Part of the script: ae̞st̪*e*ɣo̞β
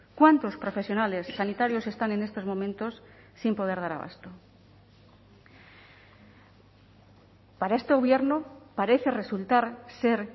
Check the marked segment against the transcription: correct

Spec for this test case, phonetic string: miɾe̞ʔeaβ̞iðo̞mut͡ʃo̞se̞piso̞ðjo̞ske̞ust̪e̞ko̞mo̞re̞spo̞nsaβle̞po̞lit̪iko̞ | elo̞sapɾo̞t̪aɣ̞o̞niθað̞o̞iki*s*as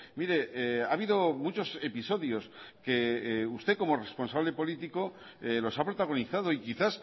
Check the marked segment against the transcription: incorrect: θ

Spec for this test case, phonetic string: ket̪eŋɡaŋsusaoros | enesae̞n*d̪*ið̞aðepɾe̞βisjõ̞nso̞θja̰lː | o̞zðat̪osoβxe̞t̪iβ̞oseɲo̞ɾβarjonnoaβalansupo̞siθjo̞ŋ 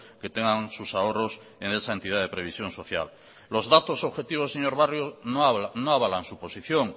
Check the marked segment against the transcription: incorrect: t̪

